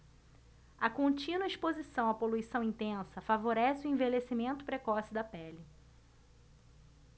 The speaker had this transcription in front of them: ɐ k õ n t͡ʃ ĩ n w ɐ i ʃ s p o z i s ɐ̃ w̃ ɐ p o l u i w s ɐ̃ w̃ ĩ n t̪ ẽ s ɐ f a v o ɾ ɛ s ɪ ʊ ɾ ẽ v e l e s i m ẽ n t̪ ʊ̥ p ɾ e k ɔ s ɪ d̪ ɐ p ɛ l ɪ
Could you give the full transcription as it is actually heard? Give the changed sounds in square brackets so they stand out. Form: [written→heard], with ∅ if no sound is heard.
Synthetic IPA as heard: ɐ k õ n t͡ʃ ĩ n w ɐ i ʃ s p o z i s ɐ̃ w̃ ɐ p o l u i [w→∅] s ɐ̃ w̃ ĩ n t̪ ẽ s ɐ f a v o ɾ ɛ s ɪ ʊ [ɾ→∅] ẽ v e l e s i m ẽ n t̪ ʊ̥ p ɾ e k ɔ s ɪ d̪ ɐ p ɛ l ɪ